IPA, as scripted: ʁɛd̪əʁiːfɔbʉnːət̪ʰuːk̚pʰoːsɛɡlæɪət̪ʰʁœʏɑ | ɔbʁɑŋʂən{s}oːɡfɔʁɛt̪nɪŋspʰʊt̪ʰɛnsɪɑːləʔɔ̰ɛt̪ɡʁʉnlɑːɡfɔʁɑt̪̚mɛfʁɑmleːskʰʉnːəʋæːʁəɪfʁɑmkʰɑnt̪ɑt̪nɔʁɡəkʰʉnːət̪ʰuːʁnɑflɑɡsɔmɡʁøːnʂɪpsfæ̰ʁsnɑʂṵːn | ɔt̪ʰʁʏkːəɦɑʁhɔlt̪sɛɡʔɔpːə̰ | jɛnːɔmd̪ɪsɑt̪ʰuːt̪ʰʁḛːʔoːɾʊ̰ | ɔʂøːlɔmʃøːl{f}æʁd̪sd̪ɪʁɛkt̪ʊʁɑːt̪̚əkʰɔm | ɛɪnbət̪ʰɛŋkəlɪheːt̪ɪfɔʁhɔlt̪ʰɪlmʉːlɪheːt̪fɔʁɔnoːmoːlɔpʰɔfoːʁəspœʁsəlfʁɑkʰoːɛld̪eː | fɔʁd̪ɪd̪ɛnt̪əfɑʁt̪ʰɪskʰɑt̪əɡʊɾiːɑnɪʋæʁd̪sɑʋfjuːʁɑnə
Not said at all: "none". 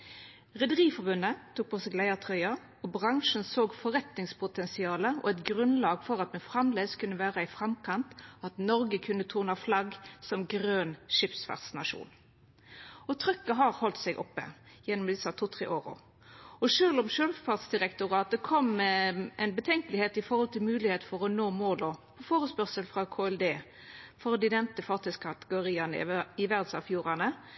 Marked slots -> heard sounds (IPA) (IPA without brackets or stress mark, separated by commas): s, f